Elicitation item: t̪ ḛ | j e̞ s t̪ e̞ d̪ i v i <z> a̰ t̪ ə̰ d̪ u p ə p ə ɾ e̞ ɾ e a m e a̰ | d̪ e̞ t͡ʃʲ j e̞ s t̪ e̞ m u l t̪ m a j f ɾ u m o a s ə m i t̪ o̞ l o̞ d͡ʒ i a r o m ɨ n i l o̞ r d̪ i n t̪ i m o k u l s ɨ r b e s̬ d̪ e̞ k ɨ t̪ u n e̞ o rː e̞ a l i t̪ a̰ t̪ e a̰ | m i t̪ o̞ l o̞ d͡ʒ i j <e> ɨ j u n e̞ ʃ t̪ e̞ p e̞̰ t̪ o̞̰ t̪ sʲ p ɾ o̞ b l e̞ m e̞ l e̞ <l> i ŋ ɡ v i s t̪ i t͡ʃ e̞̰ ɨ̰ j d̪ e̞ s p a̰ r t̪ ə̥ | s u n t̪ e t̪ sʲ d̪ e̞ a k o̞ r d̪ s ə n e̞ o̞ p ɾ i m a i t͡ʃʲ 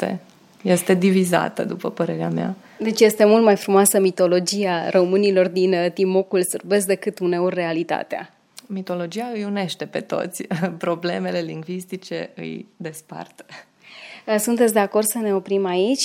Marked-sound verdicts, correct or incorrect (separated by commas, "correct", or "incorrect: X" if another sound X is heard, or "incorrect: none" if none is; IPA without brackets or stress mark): correct, incorrect: a, correct